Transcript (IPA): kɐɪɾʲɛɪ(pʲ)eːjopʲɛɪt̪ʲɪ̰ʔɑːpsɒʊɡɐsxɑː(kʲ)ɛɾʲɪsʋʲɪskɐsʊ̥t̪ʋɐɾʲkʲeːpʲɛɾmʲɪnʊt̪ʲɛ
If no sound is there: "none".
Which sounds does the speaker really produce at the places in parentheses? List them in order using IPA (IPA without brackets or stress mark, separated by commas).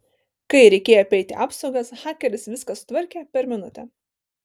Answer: kʲ, kʲ